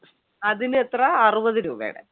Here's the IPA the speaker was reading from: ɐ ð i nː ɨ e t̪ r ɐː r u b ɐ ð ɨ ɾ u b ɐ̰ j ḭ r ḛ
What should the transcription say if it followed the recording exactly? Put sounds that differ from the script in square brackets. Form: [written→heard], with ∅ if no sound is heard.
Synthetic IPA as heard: ɐ ð i [nː→n] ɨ e t̪ r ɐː r u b ɐ ð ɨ ɾ [u→uː] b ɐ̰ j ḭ [r→ɽ] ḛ